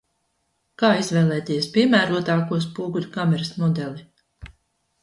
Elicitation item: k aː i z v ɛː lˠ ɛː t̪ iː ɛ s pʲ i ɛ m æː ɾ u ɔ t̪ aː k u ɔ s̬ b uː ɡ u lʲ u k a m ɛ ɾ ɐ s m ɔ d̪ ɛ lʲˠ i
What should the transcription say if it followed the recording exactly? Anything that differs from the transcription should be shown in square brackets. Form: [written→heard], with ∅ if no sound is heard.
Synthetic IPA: k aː i z v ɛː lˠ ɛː t̪ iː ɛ s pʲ i ɛ m æː ɾ u ɔ t̪ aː k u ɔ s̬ [b→p] uː ɡ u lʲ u k a m ɛ ɾ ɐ s m ɔ d̪ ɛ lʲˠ i